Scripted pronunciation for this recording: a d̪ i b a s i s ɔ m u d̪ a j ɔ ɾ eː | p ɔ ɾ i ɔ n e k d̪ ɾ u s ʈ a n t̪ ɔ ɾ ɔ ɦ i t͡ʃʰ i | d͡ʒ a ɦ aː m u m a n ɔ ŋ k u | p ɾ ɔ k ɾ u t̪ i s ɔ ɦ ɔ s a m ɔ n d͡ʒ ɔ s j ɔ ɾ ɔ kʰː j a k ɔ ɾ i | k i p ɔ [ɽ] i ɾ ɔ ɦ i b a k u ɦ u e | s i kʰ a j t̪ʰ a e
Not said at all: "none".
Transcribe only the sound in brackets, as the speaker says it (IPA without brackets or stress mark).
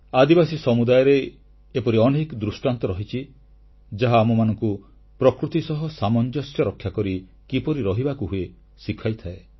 ɾ